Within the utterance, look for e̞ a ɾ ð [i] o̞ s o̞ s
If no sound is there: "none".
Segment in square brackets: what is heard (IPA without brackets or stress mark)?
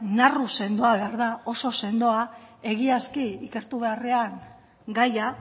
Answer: a